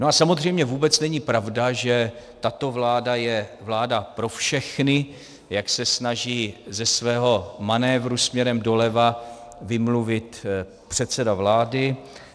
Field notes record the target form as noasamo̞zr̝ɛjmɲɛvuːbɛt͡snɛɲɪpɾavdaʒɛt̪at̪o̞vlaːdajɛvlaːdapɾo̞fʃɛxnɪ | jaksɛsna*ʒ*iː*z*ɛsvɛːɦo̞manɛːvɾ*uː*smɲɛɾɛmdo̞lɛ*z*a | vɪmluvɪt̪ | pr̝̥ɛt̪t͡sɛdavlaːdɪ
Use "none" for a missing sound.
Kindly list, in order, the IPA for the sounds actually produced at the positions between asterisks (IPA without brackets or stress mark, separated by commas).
ʒ, z, u, v